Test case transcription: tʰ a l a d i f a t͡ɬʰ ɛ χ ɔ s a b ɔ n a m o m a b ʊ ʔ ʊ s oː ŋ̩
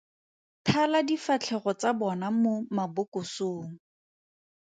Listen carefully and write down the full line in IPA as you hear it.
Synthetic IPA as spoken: tʰ a l a d i f a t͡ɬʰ ɛ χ ɔ t͡s a b ɔ n a m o m a b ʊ k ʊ s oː ŋ̩